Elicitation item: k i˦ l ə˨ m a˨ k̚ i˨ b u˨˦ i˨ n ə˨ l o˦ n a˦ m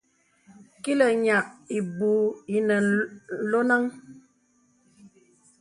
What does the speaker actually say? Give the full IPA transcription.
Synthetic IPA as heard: k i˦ l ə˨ ɲ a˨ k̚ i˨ b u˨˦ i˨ n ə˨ l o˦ n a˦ ŋ